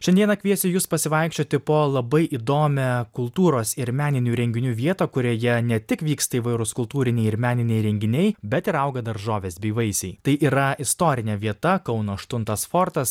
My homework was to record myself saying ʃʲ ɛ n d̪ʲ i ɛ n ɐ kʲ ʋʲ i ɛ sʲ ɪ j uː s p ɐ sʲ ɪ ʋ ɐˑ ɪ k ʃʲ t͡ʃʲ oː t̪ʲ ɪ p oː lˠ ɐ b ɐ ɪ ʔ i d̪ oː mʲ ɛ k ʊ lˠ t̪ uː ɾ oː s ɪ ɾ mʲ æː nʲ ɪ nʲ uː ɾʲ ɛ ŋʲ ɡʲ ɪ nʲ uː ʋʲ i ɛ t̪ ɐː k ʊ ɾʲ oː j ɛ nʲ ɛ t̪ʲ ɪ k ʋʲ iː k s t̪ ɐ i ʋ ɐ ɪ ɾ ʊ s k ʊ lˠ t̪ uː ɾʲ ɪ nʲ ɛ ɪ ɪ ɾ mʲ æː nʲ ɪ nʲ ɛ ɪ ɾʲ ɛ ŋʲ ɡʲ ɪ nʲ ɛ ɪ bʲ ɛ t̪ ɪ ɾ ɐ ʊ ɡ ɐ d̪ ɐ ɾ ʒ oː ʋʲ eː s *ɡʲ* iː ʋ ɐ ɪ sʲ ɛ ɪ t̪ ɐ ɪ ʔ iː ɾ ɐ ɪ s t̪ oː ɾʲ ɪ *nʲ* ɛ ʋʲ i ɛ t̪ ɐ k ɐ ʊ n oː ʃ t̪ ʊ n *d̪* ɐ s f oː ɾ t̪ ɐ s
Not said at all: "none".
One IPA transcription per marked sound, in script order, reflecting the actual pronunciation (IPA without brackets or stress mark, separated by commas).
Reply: bʲ, nʲ, t̪